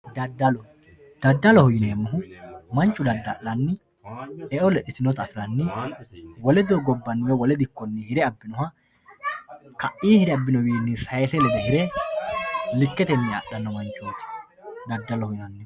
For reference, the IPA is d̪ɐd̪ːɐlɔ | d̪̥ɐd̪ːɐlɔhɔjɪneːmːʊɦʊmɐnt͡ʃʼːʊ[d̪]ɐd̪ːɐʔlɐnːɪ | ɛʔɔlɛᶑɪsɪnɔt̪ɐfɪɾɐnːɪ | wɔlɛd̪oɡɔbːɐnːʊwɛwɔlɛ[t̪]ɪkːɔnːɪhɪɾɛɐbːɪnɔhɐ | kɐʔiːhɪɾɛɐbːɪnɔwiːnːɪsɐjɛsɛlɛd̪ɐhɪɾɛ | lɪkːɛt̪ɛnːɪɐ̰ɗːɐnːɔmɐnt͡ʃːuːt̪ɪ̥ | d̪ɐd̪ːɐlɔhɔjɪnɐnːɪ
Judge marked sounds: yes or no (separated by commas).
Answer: yes, no